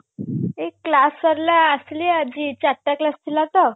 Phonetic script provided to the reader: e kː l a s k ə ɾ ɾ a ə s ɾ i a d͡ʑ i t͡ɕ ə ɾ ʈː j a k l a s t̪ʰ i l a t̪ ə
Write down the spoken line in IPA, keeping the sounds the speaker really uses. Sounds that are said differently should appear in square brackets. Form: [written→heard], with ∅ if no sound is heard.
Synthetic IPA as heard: e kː l a s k ə ɾ [ɾ→l] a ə s [ɾ→l] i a d͡ʑ i t͡ɕ [ə→a] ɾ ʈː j a k l a s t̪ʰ i l a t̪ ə